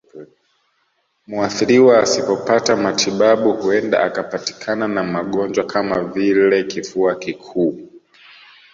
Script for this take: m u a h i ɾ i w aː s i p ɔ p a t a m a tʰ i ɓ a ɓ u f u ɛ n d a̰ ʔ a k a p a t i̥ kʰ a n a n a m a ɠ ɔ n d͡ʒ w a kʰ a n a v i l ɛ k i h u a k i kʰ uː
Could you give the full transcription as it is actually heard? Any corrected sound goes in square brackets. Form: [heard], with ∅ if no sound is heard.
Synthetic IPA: m u a [θ] i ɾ i w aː s i p ɔ p a t a m a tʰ i ɓ a ɓ u [h] u ɛ n d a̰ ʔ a k a p a t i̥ kʰ a n a n a m a ɠ ɔ n d͡ʒ w a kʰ a [m] a v i l ɛ k i [f] u a k i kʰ uː